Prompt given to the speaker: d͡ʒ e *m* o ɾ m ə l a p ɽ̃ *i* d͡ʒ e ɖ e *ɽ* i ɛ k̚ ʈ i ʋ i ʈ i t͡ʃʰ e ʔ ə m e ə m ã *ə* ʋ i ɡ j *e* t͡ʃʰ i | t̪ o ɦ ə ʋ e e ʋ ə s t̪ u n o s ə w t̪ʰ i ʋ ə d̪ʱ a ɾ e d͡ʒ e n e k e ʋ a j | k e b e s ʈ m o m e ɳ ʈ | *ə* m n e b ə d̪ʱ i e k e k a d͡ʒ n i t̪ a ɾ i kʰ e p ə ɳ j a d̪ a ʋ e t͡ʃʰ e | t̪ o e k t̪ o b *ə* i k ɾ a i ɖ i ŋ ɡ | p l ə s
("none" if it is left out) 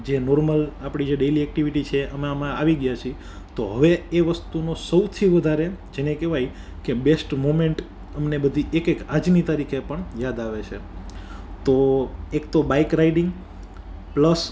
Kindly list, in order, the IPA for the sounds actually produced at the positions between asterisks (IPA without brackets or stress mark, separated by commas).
n, i, l, a, a, ə, a